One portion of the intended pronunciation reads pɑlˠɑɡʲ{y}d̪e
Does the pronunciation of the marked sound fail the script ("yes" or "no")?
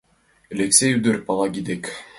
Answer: yes